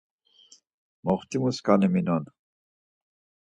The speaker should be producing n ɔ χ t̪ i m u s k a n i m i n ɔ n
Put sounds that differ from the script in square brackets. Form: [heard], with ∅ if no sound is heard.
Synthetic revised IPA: [m] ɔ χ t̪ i m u s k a n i m i n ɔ n